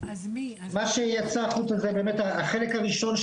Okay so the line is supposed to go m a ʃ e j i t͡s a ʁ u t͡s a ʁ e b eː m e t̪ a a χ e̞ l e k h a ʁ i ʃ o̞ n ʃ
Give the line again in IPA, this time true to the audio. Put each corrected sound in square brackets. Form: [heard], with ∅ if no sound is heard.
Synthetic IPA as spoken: m a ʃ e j [a] t͡s a [χ] u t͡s a [z] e b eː m e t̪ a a χ e̞ l e k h a ʁ i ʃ o̞ n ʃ

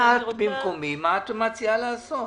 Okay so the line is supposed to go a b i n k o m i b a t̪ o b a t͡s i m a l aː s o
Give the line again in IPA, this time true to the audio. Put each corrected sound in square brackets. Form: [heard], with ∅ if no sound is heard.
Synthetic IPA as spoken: a b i [m] k o m i [m] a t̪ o [m] a t͡s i [∅] a l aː s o

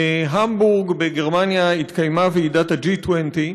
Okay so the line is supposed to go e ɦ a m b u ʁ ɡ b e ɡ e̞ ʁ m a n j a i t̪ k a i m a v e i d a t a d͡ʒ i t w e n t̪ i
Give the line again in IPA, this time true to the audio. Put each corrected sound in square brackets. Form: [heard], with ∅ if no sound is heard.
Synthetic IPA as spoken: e ɦ a m b u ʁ ɡ b e ɡ e̞ ʁ m a n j a i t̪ k a [j] m a v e i d a t a d͡ʒ i t w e n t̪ i

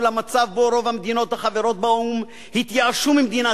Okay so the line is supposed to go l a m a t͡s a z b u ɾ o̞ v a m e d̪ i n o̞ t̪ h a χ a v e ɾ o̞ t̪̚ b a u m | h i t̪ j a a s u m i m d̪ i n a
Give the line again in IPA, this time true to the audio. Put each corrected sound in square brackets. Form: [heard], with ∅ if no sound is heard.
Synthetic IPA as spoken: l a m a t͡s a [v] b [o] ɾ o̞ v a m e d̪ i n o̞ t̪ h a χ a v e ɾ o̞ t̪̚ b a u m | h i t̪ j a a [ʃ] u m i m d̪ i n a

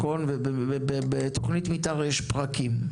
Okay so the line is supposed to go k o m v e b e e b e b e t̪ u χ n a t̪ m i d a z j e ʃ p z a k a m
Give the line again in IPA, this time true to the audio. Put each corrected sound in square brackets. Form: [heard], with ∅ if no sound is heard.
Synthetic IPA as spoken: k o [n] v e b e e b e b e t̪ [o] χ n [i] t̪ m i [t] a [ʁ] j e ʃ p [ʁ] a k [i] m

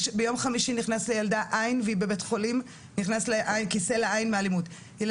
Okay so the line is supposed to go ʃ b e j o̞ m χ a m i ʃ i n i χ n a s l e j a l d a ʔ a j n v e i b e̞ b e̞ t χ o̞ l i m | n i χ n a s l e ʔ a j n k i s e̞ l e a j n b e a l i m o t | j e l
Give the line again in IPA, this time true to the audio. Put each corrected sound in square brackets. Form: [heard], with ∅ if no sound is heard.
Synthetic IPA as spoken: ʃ b e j o̞ m χ a m i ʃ i n i χ n a s l e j a l d a ʔ a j n v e i b e̞ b e̞ t χ o̞ l i m | n i χ n a s l e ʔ a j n k i s e̞ l e a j n [m] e a l i m [u] t | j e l

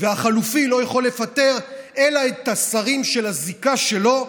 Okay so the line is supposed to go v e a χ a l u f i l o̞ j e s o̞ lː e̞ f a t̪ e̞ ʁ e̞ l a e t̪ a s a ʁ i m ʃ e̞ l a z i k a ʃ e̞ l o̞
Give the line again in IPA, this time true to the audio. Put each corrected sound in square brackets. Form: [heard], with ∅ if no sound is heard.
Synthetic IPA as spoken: v e a χ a l u f i l o̞ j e [χ] o̞ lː e̞ f a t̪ e̞ ʁ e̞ l a e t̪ a s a ʁ i m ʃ e̞ l a z i k a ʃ e̞ l o̞

